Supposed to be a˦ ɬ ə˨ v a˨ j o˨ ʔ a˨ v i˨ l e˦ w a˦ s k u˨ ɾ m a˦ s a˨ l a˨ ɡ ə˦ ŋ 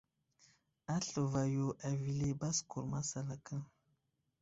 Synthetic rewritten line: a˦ ɬ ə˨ v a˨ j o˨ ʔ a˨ v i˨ l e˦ b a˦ s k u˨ ɾ m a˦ s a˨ l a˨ k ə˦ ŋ